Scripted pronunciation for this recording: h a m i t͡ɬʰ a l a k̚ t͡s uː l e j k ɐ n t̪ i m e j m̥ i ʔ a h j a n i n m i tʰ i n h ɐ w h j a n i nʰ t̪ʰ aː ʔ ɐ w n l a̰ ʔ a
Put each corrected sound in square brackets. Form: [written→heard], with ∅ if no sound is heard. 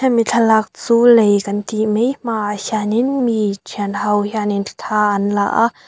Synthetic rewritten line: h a m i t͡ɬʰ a l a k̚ t͡s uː l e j k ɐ n t̪ i m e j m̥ [i→a] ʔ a h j a n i n m i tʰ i n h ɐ w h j a n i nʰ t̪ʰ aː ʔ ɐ [w→∅] n l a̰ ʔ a